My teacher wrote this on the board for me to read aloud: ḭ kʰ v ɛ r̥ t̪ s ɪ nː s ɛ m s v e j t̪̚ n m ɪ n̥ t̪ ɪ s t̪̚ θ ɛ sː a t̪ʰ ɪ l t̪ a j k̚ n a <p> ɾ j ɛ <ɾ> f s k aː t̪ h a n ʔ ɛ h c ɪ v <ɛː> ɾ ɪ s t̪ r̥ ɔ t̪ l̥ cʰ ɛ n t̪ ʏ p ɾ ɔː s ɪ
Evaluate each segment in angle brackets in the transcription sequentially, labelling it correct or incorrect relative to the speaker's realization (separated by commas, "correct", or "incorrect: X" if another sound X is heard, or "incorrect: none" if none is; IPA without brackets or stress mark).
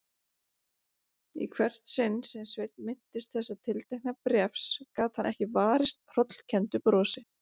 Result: correct, incorrect: none, incorrect: aː